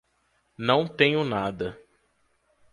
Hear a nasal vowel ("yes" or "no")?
yes